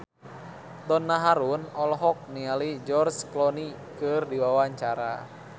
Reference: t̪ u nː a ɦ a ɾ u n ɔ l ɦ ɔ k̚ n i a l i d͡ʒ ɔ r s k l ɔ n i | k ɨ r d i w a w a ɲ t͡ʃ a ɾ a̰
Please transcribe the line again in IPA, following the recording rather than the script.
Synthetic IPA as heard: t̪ ɔ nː a ɦ a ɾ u n ɔ l ɦ ɔ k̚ n i a l i d͡ʒ ɔ r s k l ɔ n i | k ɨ r d i w a w a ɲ t͡ʃ a ɾ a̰